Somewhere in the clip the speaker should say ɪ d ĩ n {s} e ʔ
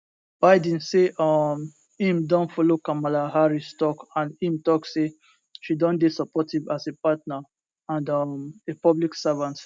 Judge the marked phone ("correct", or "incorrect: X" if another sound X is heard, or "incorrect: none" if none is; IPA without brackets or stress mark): correct